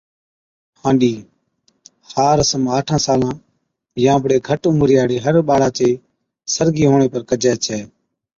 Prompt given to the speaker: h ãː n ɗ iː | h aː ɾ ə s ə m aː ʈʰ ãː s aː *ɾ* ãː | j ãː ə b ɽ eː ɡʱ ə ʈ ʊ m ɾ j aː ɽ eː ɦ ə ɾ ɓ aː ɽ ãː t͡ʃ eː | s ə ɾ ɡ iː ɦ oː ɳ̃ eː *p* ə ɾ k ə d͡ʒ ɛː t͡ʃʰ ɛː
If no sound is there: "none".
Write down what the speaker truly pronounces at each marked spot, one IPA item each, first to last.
l, p

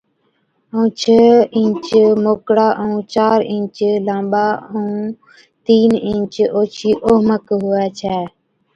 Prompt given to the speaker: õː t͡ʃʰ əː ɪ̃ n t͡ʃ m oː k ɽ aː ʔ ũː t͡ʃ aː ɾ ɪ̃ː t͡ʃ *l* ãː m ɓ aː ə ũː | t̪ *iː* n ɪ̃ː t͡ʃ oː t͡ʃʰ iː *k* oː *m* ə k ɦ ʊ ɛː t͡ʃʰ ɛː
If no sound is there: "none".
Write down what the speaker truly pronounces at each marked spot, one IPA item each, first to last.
l, iː, ʔ, m

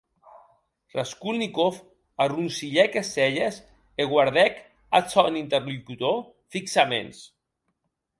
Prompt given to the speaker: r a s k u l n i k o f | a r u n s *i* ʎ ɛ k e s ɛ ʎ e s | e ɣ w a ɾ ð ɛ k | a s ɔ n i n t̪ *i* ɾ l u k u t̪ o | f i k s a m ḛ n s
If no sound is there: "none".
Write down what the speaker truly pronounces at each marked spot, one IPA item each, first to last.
i, e

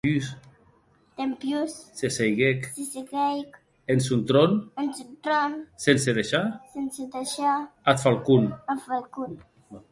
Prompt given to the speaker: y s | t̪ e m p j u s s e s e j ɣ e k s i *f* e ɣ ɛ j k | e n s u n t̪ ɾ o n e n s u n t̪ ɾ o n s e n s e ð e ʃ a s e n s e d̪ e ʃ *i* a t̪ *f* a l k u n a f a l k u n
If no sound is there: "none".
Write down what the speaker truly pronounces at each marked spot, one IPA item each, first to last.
s, a, f

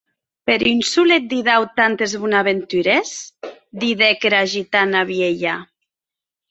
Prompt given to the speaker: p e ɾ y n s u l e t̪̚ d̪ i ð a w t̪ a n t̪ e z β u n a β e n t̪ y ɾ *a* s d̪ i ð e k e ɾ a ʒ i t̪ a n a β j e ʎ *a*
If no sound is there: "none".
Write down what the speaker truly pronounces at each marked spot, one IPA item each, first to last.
e, a

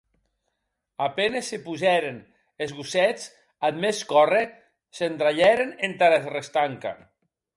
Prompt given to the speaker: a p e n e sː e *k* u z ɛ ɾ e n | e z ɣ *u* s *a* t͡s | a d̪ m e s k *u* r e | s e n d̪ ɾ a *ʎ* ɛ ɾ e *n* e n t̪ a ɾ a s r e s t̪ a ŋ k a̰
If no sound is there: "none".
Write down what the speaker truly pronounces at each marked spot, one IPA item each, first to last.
p, u, ɛ, ɔ, ʎ, n

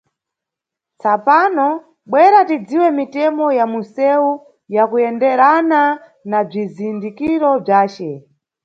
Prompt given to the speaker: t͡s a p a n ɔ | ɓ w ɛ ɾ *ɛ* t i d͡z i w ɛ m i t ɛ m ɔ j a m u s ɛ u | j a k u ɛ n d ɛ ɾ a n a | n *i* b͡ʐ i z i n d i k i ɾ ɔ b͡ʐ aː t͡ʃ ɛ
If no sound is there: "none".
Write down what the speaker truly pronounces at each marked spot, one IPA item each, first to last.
a, a

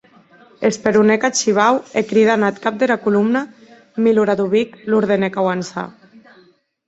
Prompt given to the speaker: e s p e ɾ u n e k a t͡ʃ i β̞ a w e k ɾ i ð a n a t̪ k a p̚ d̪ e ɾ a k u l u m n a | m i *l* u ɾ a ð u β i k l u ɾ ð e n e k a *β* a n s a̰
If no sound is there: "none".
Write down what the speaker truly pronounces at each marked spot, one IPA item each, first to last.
l, w

